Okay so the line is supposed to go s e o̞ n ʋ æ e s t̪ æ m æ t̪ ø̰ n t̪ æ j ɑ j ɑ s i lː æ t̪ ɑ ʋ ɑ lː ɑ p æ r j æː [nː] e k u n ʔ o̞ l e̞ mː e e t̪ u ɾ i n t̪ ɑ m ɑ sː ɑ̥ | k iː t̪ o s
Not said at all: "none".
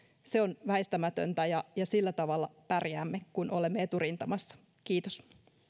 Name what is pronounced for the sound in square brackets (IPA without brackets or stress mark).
mː